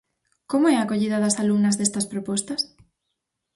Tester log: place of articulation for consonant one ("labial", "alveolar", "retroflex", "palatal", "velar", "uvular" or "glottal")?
velar